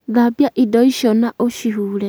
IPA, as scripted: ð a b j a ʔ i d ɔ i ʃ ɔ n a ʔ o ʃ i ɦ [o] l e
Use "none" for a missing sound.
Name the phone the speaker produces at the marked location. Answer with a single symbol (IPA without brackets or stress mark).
u